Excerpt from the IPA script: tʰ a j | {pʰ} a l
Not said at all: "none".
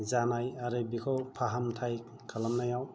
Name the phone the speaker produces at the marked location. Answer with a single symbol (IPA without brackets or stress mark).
kʰ